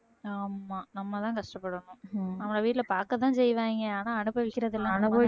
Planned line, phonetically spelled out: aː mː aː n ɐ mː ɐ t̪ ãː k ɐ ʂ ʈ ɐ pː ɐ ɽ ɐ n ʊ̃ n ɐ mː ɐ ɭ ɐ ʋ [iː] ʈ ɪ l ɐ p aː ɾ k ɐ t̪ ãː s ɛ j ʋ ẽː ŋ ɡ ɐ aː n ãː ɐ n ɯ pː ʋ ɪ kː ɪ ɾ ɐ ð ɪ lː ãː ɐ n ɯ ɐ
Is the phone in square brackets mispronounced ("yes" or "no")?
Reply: no